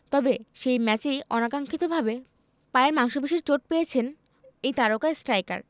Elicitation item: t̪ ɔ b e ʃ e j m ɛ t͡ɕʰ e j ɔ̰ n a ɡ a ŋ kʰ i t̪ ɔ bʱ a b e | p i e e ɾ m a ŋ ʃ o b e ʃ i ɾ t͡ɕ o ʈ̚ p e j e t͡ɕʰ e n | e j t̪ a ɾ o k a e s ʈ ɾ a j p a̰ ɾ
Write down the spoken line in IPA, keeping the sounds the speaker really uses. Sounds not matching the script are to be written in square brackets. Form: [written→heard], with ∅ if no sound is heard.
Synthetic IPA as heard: t̪ ɔ b e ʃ e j m ɛ [t͡ɕʰ→t͡ɕ] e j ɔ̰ n a [ɡ→k] a ŋ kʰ i t̪ [ɔ→o] bʱ a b e | p [i→a] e e ɾ m a ŋ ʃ o b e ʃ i ɾ t͡ɕ o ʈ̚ p e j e t͡ɕʰ e n | e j t̪ a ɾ o k a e s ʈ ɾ a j [p→k] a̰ ɾ